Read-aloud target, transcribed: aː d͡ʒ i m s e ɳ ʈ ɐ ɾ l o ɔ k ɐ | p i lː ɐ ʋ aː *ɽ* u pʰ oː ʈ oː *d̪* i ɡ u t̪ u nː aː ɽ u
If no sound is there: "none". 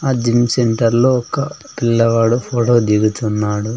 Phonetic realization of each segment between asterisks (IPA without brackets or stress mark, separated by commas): ɽ, d̪